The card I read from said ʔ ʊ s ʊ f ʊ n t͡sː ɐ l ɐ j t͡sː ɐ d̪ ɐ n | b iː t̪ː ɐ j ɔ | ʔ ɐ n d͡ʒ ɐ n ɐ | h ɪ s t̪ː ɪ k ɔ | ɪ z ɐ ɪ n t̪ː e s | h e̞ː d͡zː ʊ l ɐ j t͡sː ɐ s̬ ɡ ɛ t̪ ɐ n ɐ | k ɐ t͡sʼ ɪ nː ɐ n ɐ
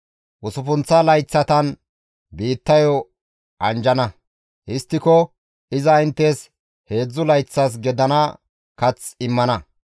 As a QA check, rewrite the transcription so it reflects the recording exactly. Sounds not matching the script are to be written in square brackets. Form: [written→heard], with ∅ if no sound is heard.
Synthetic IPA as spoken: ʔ ʊ s ʊ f ʊ n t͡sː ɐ l ɐ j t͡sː ɐ [d̪→t̪] ɐ n | b iː t̪ː ɐ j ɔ | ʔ ɐ n d͡ʒ ɐ n ɐ | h ɪ s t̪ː ɪ k ɔ | ɪ z ɐ ɪ n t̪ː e s | h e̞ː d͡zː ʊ l ɐ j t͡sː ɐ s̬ ɡ ɛ [t̪→d̪] ɐ n ɐ | k ɐ [t͡sʼ→t͡s] ɪ [nː→mː] ɐ n ɐ